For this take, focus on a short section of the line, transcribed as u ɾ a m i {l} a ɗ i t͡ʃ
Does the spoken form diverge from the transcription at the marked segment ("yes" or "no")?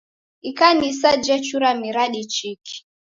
yes